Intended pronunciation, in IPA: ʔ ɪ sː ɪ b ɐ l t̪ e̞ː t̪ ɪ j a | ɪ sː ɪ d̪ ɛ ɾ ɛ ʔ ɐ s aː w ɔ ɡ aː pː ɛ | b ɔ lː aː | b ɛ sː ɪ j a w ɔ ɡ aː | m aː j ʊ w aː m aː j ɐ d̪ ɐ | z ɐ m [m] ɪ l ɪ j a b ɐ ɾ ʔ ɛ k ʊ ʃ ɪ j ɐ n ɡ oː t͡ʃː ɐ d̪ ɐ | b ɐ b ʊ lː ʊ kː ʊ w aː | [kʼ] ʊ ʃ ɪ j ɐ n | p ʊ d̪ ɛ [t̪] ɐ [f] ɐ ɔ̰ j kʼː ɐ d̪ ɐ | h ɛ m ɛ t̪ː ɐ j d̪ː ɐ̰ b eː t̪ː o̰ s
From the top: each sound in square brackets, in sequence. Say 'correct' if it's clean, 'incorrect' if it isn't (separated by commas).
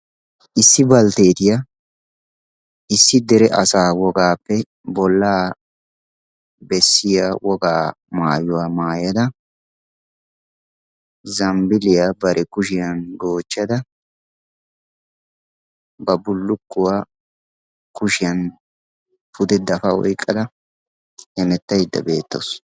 incorrect, incorrect, incorrect, correct